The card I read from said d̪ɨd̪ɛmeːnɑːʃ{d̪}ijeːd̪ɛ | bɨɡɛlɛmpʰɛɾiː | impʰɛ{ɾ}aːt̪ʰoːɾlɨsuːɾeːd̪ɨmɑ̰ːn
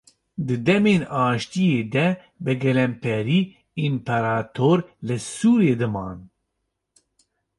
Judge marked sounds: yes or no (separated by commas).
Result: no, yes